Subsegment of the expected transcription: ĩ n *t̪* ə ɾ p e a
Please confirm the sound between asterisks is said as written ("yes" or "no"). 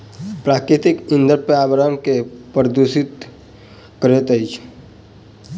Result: no